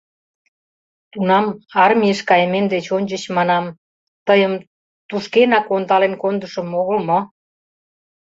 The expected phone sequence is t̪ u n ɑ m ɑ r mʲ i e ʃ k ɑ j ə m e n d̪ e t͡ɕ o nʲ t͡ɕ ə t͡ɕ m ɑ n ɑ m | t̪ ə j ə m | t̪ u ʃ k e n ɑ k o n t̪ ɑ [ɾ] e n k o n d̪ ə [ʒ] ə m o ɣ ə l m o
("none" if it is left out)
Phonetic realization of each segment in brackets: l, ʃ

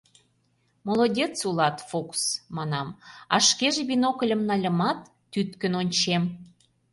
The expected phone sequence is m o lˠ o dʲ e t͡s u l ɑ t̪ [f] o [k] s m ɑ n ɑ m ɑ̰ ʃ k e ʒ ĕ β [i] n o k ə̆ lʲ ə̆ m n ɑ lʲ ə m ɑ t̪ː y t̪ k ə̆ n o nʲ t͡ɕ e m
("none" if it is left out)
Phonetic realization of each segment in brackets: f, k, i

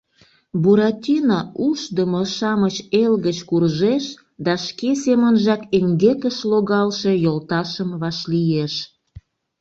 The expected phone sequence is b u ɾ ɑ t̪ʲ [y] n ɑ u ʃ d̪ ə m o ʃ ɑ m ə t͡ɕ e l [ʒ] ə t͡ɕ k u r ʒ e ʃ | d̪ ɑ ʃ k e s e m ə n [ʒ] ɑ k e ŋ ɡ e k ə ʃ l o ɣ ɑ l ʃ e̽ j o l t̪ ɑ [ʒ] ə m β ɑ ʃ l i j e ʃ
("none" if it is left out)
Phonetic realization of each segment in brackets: i, ɣ, ʒ, ʃ

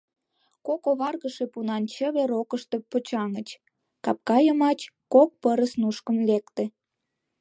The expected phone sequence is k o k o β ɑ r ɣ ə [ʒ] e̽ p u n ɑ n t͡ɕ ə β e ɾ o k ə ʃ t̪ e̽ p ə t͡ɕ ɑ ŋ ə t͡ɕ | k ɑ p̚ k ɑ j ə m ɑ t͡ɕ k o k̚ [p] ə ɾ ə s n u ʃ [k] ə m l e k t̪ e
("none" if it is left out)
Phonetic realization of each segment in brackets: ʃ, p, k

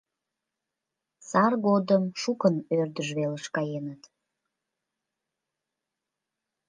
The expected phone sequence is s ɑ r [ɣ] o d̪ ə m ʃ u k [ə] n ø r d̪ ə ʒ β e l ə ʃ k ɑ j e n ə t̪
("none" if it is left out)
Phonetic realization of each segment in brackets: ɣ, ə

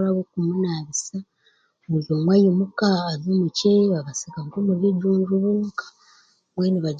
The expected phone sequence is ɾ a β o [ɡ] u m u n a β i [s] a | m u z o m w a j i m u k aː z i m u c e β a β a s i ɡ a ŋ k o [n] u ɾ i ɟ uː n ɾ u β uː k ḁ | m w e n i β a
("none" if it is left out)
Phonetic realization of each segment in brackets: k, s, m

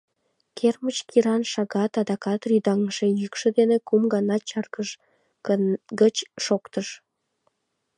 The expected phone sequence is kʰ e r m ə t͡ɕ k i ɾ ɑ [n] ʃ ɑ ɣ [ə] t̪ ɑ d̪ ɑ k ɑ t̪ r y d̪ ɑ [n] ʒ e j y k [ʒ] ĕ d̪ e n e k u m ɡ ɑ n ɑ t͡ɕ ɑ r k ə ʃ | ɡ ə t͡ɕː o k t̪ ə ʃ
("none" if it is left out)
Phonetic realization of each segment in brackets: n, ɑ, ŋ, ʃ

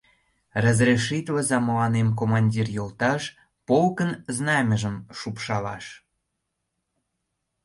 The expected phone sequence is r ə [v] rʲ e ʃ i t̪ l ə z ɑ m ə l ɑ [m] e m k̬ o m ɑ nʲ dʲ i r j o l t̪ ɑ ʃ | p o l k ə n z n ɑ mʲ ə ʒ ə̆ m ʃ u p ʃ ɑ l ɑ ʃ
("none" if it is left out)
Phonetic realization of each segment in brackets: z, n

